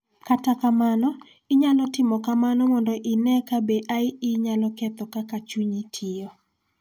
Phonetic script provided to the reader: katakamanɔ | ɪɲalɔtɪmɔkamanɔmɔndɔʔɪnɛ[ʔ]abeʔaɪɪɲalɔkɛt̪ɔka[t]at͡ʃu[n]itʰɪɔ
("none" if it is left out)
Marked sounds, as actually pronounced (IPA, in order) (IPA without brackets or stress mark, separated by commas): k, k, ɲ